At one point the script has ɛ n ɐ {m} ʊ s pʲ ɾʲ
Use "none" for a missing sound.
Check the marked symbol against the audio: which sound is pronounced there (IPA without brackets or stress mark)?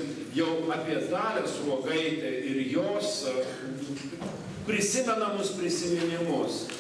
m